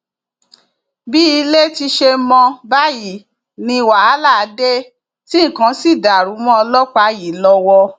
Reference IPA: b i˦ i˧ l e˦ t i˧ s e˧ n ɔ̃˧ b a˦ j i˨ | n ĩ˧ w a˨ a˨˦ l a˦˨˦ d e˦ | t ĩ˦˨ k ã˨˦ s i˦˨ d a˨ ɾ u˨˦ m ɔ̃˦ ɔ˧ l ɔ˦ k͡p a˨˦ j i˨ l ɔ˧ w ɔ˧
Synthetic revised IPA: b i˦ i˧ l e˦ t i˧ ʃ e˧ m ɔ̃˧ b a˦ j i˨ | n ĩ˧ w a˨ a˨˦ l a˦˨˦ d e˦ | t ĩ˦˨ k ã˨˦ s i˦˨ d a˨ ɾ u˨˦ m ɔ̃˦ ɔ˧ l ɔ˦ k͡p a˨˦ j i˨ l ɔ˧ w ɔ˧